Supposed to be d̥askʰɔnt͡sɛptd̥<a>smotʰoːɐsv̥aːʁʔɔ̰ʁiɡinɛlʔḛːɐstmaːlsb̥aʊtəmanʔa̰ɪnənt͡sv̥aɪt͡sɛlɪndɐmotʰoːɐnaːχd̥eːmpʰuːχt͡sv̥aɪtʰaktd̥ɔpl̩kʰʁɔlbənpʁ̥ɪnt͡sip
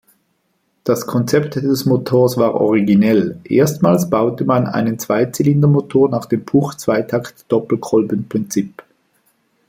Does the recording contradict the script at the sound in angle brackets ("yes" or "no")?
yes